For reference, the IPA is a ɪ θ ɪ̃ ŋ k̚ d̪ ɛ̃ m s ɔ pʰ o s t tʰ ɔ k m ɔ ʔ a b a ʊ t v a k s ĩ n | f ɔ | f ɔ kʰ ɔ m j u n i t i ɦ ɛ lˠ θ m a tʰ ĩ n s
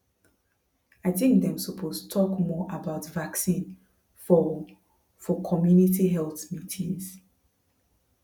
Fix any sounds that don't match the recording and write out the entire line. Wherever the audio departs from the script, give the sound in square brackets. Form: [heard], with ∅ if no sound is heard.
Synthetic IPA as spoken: a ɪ θ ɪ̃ ŋ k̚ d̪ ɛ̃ m s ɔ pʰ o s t tʰ ɔ k m ɔ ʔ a b a ʊ t v a k s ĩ n | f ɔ | f ɔ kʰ ɔ m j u n i t i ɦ ɛ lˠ θ m [i] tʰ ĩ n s